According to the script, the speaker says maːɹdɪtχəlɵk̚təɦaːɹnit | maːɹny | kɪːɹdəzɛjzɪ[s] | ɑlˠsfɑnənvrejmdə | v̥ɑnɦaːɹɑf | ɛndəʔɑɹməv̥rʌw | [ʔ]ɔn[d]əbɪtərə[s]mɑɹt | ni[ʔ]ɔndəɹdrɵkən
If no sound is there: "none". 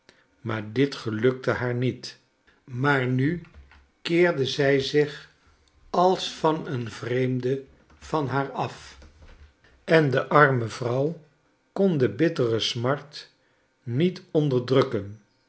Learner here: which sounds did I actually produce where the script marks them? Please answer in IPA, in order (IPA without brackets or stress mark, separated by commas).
χ, k, d, s, t